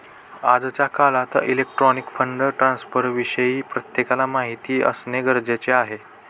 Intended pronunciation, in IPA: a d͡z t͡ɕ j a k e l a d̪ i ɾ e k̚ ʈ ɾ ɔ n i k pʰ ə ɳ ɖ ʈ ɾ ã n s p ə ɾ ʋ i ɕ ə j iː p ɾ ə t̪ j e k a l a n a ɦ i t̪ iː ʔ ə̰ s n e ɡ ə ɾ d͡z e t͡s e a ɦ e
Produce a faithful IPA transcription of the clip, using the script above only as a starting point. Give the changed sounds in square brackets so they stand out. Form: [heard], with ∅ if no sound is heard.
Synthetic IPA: a d͡z t͡ɕ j a k [a] l a [t̪] i [l] e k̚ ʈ ɾ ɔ n i k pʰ ə ɳ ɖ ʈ ɾ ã n s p ə ɾ ʋ i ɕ ə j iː p ɾ ə t̪ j e k a l a [m] a ɦ i t̪ iː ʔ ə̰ s n e ɡ ə ɾ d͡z e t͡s e a ɦ e